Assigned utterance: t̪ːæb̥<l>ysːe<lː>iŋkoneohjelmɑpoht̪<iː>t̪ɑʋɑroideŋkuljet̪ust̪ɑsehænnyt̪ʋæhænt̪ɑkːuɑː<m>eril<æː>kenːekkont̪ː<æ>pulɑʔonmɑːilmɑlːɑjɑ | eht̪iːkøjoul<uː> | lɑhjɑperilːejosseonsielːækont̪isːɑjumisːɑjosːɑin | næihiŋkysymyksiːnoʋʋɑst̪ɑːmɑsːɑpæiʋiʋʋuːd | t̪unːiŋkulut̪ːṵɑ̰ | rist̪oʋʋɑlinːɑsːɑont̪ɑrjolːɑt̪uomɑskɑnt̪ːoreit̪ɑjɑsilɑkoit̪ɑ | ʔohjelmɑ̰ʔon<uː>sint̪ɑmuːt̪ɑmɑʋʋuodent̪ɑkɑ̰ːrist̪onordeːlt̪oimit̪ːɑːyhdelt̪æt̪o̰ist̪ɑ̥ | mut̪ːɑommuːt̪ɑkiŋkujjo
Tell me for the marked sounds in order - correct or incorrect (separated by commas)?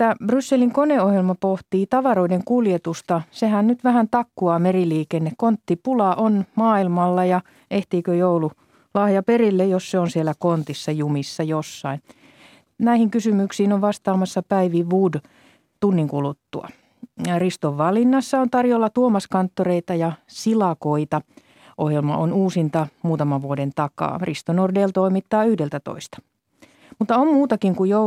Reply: incorrect, incorrect, correct, correct, incorrect, incorrect, incorrect, correct